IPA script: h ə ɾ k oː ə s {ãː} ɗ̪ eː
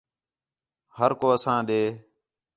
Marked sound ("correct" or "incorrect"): correct